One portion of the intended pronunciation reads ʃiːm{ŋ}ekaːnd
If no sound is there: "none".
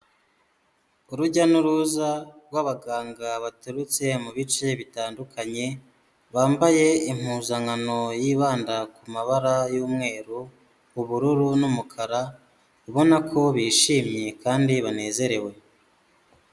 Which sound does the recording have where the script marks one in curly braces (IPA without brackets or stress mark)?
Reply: ɲ